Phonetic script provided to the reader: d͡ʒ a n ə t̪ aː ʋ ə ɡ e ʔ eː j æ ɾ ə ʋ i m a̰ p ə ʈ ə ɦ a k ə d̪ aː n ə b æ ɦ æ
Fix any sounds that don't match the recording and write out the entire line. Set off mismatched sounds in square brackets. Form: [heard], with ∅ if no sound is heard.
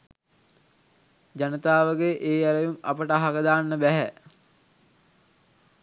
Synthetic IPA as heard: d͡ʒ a n ə t̪ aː ʋ ə ɡ e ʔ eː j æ ɾ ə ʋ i m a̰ p ə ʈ ə ɦ a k ə d̪ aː [nː] ə b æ ɦ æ